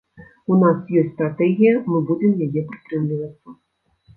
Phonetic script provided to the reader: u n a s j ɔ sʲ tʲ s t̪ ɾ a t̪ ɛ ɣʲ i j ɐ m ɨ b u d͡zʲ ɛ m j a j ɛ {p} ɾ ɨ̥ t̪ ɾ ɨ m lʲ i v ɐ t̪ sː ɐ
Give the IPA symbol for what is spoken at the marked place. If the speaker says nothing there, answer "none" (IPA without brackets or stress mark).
p